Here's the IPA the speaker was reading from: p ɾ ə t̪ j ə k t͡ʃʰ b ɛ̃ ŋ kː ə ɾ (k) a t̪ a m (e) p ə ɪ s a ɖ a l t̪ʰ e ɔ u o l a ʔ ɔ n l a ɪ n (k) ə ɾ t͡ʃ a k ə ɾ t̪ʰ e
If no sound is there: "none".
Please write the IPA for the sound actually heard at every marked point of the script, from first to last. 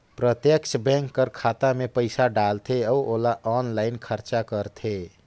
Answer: kʰ, e, kʰ

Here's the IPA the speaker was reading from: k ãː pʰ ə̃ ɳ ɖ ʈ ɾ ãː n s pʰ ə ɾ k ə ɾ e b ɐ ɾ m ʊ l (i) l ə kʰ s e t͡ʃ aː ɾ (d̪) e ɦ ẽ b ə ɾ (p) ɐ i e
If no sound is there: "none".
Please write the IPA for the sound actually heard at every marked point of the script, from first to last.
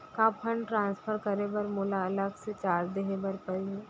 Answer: a, d̪, p

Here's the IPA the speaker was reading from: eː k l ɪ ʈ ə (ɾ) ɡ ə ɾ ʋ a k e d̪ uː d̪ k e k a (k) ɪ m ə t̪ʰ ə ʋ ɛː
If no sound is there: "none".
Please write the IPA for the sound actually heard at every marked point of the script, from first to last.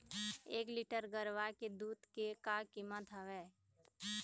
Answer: ɾ, k

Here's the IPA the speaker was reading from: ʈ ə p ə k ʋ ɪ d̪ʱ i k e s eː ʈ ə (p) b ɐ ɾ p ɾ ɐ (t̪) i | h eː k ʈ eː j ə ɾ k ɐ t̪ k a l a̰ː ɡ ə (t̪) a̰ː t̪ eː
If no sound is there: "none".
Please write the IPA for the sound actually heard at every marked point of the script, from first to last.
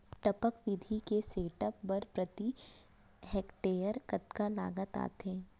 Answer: p, t̪, t̪

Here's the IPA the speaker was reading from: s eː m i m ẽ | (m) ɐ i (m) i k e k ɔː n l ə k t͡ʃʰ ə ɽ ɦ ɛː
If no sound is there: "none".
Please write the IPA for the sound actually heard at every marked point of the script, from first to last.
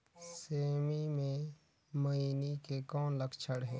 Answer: m, n

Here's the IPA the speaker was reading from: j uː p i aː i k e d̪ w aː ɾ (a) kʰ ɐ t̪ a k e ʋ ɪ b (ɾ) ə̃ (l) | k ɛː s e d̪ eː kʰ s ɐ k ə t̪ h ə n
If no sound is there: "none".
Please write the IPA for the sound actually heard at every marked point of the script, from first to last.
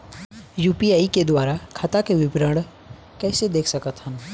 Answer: a, ɾ, ɽ

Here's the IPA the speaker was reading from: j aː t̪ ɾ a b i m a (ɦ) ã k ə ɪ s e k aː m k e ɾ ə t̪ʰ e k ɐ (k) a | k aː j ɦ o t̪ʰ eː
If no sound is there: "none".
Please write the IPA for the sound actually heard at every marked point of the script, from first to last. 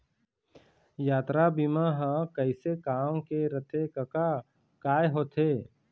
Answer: ɦ, k

